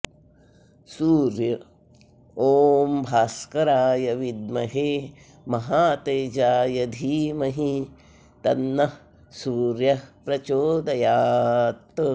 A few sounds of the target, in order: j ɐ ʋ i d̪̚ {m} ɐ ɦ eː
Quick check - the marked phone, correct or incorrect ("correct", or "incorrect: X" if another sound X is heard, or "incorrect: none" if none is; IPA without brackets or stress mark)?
correct